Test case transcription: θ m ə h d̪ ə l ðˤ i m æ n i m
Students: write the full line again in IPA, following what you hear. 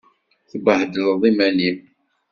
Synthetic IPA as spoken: θ b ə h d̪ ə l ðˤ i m æ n i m